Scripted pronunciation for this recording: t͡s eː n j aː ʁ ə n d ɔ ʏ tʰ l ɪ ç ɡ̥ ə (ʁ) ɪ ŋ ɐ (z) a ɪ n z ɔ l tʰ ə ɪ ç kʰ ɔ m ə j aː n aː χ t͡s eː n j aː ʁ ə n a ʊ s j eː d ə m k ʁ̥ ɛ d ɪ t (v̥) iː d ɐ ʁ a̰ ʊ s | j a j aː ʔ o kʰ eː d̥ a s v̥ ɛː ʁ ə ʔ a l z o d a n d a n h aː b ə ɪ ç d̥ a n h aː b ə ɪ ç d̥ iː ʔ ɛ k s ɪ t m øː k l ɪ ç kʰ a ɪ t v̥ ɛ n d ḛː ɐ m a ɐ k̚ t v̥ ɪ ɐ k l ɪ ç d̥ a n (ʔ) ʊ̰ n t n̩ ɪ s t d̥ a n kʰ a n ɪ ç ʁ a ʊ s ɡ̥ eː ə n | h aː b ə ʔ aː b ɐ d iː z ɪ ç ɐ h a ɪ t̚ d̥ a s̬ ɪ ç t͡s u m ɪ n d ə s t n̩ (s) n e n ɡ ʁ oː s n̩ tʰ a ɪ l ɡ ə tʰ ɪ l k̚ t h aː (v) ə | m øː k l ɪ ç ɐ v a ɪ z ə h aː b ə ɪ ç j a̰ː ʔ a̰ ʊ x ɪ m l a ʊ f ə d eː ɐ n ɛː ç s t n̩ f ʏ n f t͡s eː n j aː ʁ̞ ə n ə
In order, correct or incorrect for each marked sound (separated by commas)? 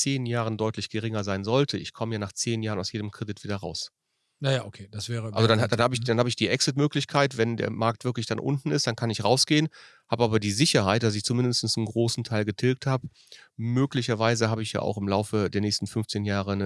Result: correct, correct, correct, correct, correct, incorrect